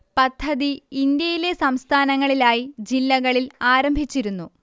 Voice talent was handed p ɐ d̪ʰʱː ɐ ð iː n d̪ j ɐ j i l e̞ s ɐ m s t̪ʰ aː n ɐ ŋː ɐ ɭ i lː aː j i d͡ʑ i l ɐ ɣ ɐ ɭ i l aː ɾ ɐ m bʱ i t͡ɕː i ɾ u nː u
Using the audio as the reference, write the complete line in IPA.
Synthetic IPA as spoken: p ɐ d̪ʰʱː ɐ ð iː n d̪ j ɐ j i l e̞ s ɐ m s t̪ʰ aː n ɐ ŋː ɐ ɭ i l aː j i d͡ʑ i lː ɐ ɣ ɐ ɭ i l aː ɾ ɐ m bʱ i t͡ɕː i ɾ u nː u